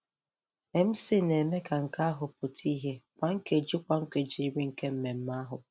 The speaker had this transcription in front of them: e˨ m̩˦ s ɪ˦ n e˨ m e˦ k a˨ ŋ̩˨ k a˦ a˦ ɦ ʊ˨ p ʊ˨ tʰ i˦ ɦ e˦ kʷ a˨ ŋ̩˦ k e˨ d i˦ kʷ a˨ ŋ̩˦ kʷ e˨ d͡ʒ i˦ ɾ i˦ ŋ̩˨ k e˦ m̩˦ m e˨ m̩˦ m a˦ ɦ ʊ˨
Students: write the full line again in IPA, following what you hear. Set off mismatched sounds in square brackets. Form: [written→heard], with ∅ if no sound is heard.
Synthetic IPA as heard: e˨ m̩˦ s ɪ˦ n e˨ m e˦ k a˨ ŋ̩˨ k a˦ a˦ ɦ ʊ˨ p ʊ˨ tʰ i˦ ɦ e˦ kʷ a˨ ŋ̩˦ k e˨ [d→d͡ʒ] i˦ kʷ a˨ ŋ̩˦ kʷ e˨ d͡ʒ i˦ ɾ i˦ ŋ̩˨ k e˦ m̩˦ m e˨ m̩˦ m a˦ ɦ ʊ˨